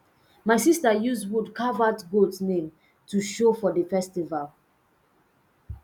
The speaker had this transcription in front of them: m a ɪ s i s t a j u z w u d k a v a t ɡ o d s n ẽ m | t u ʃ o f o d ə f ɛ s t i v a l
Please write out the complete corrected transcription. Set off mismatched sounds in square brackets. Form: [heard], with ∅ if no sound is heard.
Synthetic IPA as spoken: m a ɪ s i s t a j u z w u d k a v a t ɡ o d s n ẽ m | t u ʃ o f [ɔ] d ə f ɛ s t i v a l